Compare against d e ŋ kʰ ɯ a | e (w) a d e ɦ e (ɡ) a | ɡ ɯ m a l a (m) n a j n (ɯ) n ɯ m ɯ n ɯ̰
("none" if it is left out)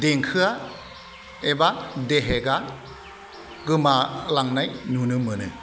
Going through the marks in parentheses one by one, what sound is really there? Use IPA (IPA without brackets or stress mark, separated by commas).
b, ɡ, ŋ, u